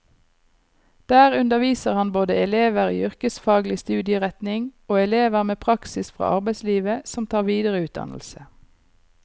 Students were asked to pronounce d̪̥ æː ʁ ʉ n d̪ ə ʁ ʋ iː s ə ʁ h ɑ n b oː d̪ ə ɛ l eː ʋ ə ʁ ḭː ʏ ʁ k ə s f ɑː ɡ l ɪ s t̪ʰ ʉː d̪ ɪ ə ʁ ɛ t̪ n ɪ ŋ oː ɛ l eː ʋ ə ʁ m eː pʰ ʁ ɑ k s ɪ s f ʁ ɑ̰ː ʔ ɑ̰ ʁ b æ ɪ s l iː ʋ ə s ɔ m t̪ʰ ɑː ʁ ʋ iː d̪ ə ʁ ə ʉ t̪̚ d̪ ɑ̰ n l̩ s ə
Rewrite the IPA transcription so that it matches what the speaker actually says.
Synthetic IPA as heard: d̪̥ æː ʁ ʉ n d̪ ə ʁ ʋ iː s ə ʁ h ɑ n b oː d̪ ə ɛ l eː ʋ ə ʁ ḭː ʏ ʁ k ə s f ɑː ɡ l ɪ s t̪ ʉː d̪ ɪ ə ʁ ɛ t̪ n ɪ ŋ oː ɛ l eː ʋ ə ʁ m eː pʰ ʁ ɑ k s ɪ s f ʁ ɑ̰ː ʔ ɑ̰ ʁ b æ ɪ s l iː ʋ ə s ɔ m t̪ʰ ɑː ʁ ʋ iː d̪ ə ʁ ə ʉː t̪̚ d̪ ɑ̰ n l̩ s ə